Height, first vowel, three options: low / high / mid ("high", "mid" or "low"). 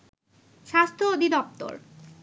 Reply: low